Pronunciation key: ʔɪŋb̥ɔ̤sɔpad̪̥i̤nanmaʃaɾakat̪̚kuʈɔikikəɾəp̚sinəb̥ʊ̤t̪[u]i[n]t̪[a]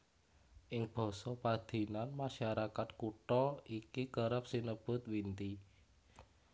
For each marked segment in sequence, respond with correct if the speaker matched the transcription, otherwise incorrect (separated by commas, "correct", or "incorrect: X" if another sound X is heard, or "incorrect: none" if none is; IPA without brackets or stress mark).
incorrect: w, correct, incorrect: i